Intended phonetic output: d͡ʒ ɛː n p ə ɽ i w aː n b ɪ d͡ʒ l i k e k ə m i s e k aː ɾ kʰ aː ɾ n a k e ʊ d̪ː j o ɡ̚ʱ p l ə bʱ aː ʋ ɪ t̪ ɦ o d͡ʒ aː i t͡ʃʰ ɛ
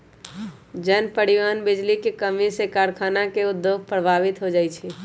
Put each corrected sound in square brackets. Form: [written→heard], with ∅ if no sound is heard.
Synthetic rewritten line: d͡ʒ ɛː n p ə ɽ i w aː n b ɪ d͡ʒ l i k e k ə m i s e k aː ɾ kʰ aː [ɾ→∅] n a k e ʊ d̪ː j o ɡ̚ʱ p [l→ɾ] ə bʱ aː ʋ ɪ t̪ ɦ o d͡ʒ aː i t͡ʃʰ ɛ